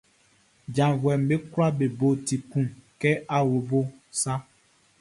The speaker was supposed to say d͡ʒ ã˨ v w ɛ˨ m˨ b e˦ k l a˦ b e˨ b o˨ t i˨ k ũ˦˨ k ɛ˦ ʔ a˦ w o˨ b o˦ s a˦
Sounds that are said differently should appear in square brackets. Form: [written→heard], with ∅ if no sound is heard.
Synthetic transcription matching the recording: d͡ʒ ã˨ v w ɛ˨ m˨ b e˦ k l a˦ b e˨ b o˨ t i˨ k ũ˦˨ k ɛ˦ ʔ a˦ w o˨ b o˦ s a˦